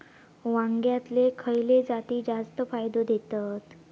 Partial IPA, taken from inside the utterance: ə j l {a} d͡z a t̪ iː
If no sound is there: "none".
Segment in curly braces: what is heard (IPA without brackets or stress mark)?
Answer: e